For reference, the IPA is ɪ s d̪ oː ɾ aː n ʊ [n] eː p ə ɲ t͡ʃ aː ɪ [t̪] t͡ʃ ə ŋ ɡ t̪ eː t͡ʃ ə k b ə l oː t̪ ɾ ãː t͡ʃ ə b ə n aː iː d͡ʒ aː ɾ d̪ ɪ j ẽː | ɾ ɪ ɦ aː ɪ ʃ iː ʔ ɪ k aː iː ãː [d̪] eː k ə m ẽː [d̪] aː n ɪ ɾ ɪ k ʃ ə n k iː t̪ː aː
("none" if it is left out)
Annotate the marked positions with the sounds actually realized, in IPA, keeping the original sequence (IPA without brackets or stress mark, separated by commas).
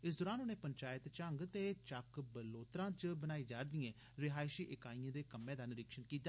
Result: n, t̪, d̪, d̪